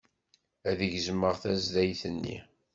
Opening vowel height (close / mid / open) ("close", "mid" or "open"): open